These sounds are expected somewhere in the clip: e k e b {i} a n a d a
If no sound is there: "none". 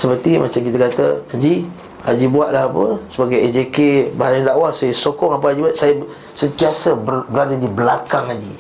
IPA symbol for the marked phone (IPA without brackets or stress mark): a